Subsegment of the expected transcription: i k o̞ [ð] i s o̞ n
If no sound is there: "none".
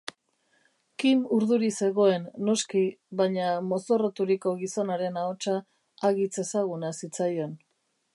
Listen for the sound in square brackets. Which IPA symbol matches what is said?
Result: ɣ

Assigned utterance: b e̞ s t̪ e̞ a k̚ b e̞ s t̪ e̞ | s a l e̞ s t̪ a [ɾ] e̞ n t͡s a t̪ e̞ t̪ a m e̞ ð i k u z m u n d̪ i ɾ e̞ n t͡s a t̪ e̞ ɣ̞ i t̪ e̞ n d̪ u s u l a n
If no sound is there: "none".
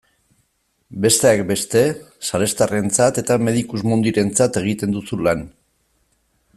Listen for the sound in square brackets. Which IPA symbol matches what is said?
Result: r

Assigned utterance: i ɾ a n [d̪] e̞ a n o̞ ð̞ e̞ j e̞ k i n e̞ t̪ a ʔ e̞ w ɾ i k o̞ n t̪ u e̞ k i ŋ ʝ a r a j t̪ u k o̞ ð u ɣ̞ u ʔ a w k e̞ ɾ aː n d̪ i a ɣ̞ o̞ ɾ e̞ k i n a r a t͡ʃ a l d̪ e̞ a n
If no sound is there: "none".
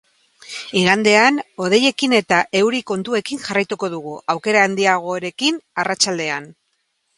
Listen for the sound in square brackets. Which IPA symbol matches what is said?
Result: d̪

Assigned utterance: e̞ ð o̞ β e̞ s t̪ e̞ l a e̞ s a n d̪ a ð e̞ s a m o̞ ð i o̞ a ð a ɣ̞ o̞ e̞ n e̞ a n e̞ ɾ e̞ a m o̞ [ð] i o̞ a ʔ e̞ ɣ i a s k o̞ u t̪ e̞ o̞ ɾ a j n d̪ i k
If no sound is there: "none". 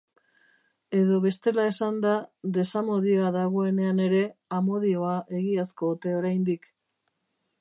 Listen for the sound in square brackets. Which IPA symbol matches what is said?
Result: ð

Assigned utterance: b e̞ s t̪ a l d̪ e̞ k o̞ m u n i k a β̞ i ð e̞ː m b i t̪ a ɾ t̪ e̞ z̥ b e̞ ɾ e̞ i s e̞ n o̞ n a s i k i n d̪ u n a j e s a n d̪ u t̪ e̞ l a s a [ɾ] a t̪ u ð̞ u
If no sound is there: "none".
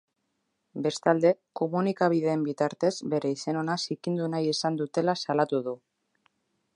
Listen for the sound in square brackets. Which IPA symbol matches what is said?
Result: l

